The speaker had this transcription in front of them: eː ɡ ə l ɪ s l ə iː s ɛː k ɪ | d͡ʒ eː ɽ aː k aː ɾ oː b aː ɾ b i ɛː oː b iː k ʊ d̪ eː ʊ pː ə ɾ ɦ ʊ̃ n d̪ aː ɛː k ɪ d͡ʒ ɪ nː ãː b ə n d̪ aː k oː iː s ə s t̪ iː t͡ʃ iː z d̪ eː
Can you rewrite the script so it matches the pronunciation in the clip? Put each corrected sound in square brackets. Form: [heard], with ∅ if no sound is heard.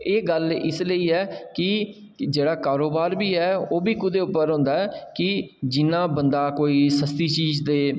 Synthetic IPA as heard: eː ɡ ə l ɪ s l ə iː [∅] ɛː k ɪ | d͡ʒ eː ɽ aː k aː ɾ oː b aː ɾ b [iː] ɛː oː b iː k ʊ d̪ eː ʊ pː ə ɾ ɦ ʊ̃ n d̪ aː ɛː k ɪ d͡ʒ ɪ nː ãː b ə n d̪ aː k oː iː s ə s t̪ iː t͡ʃ iː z d̪ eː